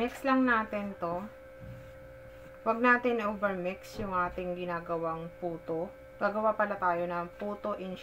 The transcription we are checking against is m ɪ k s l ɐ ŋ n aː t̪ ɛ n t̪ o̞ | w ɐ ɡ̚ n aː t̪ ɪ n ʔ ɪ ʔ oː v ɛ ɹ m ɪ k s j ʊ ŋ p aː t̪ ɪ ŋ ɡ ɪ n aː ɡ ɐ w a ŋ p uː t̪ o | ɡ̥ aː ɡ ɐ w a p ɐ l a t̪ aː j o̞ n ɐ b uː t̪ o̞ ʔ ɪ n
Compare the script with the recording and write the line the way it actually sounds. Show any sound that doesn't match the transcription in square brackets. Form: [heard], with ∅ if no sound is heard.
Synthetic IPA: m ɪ k s l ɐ ŋ n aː t̪ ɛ n t̪ o̞ | w ɐ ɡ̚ n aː t̪ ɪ n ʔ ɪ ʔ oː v ɛ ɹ m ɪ k s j ʊ ŋ [ʔ] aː t̪ ɪ ŋ ɡ ɪ n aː ɡ ɐ w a ŋ p uː t̪ o | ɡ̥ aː ɡ ɐ w a p ɐ l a t̪ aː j o̞ n ɐ [p] uː t̪ o̞ ʔ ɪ n